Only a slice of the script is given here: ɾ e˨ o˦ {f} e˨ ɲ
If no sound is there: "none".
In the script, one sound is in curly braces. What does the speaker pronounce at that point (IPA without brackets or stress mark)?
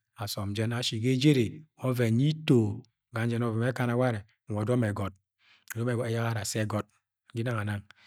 v